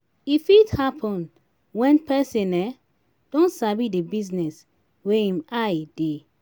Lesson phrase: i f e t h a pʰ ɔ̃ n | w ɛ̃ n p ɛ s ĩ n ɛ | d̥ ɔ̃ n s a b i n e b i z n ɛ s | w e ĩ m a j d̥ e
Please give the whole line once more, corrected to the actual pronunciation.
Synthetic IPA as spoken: i f i t h a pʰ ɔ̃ n | w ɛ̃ n p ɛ s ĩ n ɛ | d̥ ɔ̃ n s a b i d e b i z n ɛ s | w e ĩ m a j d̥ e